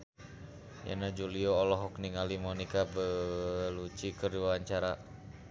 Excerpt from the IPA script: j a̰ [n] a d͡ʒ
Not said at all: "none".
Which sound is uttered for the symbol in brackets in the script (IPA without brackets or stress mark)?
n